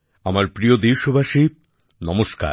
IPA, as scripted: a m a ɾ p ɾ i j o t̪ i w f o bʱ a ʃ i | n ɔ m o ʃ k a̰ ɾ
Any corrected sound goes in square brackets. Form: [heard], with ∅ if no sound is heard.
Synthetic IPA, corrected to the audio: a m a ɾ p ɾ i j o [d̪] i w [ʃ] o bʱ a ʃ i | n ɔ m o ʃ k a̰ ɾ

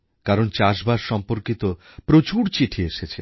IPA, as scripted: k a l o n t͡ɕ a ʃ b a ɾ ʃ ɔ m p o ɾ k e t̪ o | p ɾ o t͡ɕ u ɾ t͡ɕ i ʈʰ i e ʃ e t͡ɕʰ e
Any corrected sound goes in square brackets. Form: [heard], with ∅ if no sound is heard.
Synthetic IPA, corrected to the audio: k a [ɾ] o n t͡ɕ a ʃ b a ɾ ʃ ɔ m p o ɾ k [i] t̪ o | p ɾ o t͡ɕ u ɾ t͡ɕ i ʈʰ i e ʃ e t͡ɕʰ e

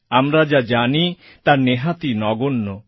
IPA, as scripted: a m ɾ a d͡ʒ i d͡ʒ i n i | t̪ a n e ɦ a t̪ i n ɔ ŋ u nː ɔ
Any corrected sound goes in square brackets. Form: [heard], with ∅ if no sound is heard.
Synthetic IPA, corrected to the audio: a m ɾ a d͡ʒ [a] d͡ʒ [a] n i | t̪ a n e ɦ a t̪ i n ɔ [ɡ] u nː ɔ

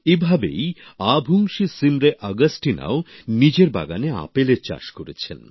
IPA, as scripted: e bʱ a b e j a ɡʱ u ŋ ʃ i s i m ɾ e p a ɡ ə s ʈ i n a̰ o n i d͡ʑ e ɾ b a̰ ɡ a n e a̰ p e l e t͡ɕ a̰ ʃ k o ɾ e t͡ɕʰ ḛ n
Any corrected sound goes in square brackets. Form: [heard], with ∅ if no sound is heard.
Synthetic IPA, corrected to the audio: e bʱ a b e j a [bʱ] u ŋ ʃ i s i m ɾ e [ʔ] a ɡ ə s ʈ i n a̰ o n i d͡ʑ e ɾ b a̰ ɡ a n e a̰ p e l e t͡ɕ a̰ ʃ k o ɾ e t͡ɕʰ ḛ n

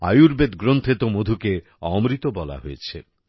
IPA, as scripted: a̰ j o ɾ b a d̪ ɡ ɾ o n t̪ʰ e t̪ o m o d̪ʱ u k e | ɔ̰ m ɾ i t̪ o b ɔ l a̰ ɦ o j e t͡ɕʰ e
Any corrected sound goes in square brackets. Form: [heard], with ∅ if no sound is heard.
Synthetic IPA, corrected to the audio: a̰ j [u] ɾ b [e] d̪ ɡ ɾ o n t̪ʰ e t̪ o m o d̪ʱ u k e | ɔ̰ m ɾ i t̪ o b ɔ l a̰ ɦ o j e t͡ɕʰ e

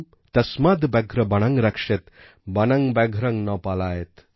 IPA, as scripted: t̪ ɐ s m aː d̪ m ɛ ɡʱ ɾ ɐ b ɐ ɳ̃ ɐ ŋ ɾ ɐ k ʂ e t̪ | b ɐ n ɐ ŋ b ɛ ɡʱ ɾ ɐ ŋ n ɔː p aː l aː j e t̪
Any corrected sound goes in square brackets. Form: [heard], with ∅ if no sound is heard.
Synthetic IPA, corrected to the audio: t̪ ɐ s m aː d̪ [b] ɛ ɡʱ ɾ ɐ b ɐ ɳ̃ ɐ ŋ ɾ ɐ k ʂ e t̪ | b ɐ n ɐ ŋ b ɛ ɡʱ ɾ ɐ ŋ n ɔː p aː l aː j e t̪

